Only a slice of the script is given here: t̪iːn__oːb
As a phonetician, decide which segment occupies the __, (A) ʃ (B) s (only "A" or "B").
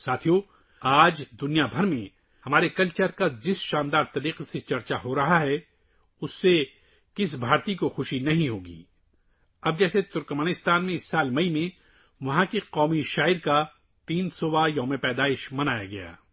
B